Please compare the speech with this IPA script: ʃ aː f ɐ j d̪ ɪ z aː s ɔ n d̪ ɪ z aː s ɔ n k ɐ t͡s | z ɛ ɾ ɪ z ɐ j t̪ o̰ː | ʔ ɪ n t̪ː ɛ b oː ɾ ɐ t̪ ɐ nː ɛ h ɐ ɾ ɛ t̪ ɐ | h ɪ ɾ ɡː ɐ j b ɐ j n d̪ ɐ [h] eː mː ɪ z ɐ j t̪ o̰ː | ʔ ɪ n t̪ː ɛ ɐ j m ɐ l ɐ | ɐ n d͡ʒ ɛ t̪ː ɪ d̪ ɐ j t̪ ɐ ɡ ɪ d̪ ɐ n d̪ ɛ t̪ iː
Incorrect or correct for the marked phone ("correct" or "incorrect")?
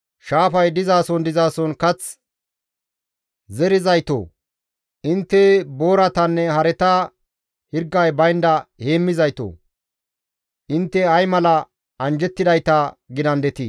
correct